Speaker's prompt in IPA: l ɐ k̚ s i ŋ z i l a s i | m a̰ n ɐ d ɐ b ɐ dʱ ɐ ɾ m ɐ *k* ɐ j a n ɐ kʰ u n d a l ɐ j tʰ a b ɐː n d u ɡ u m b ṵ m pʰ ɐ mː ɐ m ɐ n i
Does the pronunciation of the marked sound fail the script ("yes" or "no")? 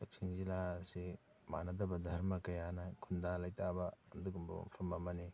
no